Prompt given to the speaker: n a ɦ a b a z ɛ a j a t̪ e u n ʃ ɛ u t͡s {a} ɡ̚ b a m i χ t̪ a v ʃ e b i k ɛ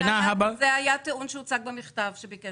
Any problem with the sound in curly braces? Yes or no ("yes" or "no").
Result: no